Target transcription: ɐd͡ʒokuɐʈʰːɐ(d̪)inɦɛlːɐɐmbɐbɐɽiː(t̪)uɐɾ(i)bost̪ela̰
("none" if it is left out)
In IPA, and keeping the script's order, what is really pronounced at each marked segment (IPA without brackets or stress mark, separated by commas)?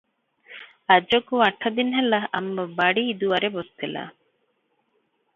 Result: d̪, d̪, e